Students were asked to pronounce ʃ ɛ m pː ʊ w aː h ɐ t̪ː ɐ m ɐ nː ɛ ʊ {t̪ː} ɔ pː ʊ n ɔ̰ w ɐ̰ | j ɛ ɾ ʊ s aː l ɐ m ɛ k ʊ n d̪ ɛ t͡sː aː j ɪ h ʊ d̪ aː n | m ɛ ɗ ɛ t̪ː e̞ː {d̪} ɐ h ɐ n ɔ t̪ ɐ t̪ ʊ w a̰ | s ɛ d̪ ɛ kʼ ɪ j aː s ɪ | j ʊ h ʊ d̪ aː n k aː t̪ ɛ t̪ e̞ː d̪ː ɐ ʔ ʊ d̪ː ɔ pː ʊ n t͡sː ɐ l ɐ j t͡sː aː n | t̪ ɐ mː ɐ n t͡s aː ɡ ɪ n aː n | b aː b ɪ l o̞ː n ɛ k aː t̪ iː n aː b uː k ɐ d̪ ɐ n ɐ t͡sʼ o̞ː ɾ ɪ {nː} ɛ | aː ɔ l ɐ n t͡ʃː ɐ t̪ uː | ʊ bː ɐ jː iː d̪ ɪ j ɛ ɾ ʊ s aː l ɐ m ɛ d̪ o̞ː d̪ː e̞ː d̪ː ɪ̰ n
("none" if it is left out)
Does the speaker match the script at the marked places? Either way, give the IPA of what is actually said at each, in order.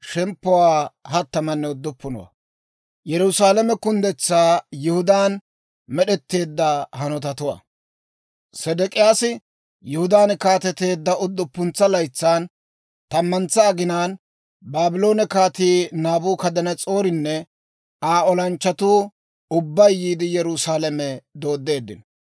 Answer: d̪ː, d̪ː, nː

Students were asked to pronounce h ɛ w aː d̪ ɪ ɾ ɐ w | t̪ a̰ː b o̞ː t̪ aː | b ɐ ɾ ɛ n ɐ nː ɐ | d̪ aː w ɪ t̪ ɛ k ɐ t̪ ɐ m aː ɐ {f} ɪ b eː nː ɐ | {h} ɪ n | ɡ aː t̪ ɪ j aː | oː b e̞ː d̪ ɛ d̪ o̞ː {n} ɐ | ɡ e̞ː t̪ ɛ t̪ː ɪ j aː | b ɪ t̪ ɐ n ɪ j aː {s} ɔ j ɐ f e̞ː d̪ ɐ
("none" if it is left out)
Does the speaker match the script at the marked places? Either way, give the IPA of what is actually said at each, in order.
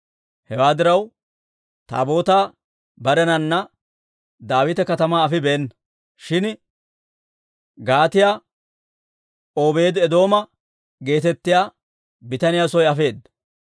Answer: f, ʃ, m, s

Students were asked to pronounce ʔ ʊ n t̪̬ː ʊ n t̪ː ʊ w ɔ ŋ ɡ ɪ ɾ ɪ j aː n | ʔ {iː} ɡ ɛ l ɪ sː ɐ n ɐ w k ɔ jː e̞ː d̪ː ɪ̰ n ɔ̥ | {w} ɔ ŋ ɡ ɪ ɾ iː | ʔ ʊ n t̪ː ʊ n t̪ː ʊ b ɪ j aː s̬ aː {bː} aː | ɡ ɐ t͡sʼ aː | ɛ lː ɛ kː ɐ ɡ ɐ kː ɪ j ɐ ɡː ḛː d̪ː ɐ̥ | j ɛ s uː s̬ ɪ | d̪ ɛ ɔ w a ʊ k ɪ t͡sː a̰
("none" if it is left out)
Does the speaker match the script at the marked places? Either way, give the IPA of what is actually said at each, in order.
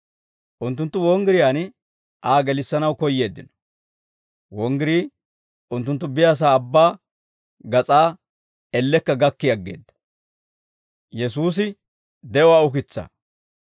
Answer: aː, w, bː

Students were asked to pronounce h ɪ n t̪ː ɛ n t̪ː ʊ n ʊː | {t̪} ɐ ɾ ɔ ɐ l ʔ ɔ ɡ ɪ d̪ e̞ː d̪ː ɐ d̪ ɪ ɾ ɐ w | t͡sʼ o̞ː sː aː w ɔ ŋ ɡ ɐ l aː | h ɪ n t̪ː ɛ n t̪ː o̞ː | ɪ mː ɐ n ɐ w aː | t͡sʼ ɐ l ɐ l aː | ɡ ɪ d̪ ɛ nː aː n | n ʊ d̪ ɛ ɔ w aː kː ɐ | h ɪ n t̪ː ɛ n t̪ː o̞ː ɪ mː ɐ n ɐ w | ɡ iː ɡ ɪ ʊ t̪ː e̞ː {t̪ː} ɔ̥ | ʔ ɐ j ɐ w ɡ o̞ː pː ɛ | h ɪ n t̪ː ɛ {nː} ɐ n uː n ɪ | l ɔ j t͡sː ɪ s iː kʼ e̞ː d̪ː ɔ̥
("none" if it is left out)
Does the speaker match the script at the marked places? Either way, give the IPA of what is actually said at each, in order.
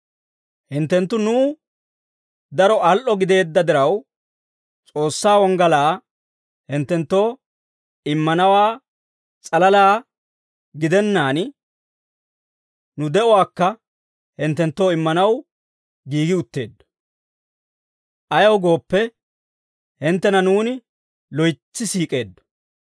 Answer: d̪, d̪ː, n

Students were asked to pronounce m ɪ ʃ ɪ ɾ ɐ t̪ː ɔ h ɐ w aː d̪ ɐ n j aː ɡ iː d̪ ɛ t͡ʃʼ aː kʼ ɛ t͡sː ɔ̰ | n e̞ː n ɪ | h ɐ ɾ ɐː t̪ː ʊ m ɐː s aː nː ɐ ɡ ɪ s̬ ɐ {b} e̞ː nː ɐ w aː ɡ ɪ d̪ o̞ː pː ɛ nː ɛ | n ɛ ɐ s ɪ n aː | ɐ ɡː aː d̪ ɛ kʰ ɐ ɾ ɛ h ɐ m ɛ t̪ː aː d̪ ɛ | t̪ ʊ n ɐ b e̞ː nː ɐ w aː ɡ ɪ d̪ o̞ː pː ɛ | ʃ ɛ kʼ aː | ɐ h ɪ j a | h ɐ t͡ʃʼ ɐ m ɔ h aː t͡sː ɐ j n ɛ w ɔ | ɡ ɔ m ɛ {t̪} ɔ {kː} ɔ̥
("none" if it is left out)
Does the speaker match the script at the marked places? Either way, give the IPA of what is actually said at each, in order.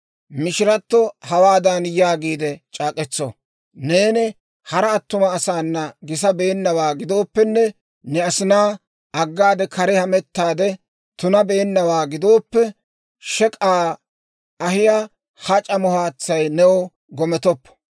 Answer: b, t̪, pː

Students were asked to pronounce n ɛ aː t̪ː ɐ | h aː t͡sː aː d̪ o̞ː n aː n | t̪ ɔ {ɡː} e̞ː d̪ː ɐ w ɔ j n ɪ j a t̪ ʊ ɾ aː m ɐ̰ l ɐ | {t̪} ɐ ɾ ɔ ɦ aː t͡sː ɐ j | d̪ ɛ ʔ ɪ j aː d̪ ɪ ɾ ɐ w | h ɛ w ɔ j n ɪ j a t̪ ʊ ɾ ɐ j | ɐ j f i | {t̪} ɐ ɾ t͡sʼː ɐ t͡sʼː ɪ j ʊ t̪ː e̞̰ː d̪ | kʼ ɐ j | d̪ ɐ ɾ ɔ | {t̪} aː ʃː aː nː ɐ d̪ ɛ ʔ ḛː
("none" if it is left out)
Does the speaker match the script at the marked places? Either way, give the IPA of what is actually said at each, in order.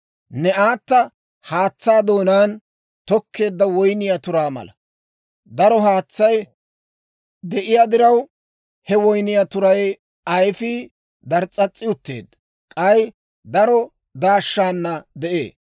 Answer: kː, d̪, d̪, d̪

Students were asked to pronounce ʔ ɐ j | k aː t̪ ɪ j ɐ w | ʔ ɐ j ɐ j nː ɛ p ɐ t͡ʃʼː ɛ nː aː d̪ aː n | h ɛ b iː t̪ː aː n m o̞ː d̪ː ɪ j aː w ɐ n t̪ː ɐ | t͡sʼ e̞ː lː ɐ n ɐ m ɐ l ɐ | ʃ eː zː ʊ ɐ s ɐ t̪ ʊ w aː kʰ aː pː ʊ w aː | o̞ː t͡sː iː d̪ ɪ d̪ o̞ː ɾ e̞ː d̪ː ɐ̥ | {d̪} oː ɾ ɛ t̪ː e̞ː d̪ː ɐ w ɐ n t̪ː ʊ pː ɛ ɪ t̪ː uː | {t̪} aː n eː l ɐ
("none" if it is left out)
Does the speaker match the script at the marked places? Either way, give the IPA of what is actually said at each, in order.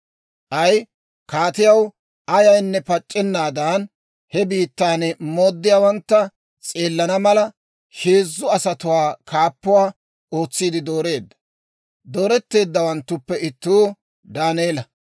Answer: d̪, d̪

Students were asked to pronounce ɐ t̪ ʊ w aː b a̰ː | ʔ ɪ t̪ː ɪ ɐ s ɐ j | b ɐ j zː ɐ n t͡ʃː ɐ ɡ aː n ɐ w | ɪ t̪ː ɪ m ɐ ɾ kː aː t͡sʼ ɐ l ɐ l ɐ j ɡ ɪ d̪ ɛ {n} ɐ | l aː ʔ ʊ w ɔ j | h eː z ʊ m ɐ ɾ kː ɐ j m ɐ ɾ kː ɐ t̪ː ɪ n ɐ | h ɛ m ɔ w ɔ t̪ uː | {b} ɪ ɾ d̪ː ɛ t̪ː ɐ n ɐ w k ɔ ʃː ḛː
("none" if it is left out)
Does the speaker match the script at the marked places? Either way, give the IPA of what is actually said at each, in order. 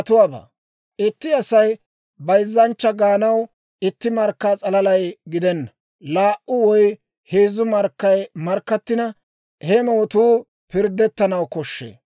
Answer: nː, p

